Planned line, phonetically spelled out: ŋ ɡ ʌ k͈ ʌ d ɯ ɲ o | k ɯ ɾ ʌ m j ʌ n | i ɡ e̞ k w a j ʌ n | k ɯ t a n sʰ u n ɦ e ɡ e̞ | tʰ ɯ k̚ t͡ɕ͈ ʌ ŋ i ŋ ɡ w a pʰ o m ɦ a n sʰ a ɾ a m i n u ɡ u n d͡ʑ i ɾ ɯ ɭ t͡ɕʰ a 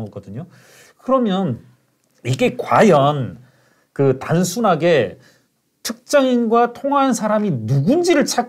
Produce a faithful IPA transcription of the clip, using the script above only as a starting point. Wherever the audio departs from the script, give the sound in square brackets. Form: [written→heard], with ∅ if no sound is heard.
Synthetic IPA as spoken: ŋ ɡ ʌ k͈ ʌ d ɯ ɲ o | k ɯ ɾ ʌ m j ʌ n | i ɡ e̞ k w a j ʌ n | k ɯ t a n sʰ u n ɦ [e→a] ɡ e̞ | tʰ ɯ k̚ t͡ɕ͈ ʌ ŋ i [ŋ→n] ɡ w a [pʰ→tʰ] o [m→ŋ] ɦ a n sʰ a ɾ a m i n u ɡ u n d͡ʑ i ɾ ɯ ɭ t͡ɕʰ a